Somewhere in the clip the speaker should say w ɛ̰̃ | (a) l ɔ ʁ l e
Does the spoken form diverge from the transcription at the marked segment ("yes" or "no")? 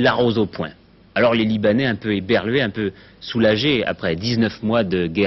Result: no